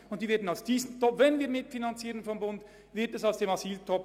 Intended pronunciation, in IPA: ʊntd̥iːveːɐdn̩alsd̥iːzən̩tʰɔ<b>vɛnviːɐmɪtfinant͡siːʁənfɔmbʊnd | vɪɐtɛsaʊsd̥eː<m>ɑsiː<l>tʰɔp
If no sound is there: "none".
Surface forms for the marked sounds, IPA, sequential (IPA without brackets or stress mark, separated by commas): p, m, l